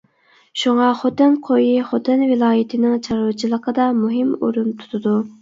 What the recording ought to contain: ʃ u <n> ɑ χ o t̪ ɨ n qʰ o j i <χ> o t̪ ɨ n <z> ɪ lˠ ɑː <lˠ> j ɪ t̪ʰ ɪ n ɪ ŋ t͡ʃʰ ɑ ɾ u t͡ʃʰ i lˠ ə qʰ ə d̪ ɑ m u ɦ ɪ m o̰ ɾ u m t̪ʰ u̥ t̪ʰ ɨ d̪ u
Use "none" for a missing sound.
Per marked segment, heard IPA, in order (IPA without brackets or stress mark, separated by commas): ŋ, χ, v, none